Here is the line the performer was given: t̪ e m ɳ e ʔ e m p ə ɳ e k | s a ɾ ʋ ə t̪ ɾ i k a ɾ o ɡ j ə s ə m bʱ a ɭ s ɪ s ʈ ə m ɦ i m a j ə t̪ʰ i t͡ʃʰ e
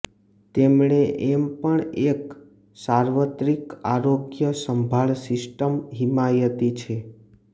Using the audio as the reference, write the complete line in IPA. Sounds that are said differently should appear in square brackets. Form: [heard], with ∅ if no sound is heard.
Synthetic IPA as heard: t̪ e m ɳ e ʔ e m p ə ɳ e k | s a ɾ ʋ ə t̪ ɾ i k a ɾ o ɡ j ə s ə m bʱ a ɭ s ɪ s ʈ ə m ɦ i m a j ə [t̪] i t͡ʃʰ e

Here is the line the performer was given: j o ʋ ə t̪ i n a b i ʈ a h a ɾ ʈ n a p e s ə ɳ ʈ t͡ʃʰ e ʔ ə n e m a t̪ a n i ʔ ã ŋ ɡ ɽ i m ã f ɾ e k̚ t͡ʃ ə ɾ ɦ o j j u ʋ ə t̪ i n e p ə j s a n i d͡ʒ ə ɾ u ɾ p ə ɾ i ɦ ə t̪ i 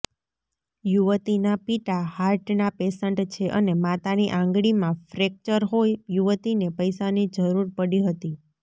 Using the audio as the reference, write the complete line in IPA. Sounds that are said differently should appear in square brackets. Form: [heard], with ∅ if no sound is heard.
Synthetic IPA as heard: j [u] ʋ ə t̪ i n a [p] i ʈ a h a ɾ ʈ n a p e s ə ɳ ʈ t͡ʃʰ e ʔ ə n e m a t̪ a n i ʔ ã ŋ ɡ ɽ i m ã f ɾ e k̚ t͡ʃ ə ɾ ɦ o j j u ʋ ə t̪ i n e p ə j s a n i d͡ʒ ə ɾ u ɾ p ə [ɽ] i ɦ ə t̪ i

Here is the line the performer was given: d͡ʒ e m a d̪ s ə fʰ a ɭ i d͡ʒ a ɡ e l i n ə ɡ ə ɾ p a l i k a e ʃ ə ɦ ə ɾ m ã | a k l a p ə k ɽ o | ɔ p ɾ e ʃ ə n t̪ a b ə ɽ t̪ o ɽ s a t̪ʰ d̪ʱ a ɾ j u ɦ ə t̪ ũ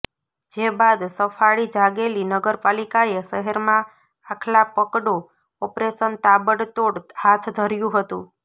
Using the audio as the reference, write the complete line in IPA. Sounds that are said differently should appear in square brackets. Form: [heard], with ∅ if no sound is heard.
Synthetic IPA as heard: d͡ʒ e [b] a d̪ s ə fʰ a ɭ i d͡ʒ a ɡ e l i n ə ɡ ə ɾ p a l i k a e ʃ ə ɦ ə ɾ m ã | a [kʰ] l a p ə k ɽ o | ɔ p ɾ e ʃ ə n t̪ a b ə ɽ t̪ o ɽ [h] a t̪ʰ d̪ʱ [ə] ɾ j [ũ] ɦ ə t̪ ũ

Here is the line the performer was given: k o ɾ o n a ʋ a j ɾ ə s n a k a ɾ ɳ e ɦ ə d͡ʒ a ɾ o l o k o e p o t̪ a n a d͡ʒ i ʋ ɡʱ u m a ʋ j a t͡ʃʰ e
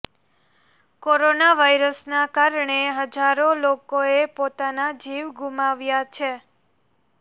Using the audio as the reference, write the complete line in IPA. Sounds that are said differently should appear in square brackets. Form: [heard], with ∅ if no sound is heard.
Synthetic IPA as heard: k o ɾ o n a ʋ a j ɾ ə s n a k a ɾ ɳ e ɦ ə d͡ʒ a ɾ o l o k o e p o t̪ a n a d͡ʒ i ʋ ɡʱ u m a ʋ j a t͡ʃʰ e

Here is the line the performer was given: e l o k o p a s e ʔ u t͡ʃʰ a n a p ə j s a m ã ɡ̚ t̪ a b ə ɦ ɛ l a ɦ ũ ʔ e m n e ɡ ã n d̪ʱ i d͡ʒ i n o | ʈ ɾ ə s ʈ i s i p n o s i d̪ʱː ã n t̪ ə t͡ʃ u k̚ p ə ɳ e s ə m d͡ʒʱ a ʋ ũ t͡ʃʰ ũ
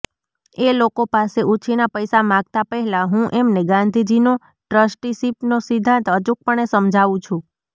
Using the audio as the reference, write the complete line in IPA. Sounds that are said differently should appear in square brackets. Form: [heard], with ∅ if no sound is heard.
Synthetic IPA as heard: e l o k o p a s e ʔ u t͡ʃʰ [i] n a p ə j s a m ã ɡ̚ t̪ a [p] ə ɦ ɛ l a ɦ ũ ʔ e m n e ɡ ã n d̪ʱ i d͡ʒ i n o | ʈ ɾ ə s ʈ i s i p n o s i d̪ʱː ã n t̪ ə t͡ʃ u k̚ p ə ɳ e s ə m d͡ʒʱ a ʋ ũ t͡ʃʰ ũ

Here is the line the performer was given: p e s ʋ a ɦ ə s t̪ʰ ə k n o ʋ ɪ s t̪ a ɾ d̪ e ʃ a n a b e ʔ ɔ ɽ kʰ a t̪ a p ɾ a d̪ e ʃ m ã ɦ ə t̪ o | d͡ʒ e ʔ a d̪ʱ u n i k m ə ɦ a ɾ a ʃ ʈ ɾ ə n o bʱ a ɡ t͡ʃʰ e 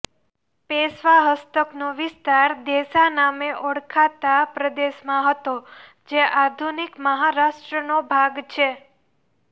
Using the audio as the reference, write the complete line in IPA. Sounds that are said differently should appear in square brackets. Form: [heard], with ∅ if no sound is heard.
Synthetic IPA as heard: p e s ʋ a ɦ ə s [t̪] ə k n o ʋ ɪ s t̪ a ɾ d̪ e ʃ a n a [m] e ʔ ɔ ɽ kʰ a t̪ a p ɾ [ə] d̪ e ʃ m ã ɦ ə t̪ o | d͡ʒ e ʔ a d̪ʱ u n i k m ə ɦ a ɾ a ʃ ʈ ɾ ə n o bʱ a ɡ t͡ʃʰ e

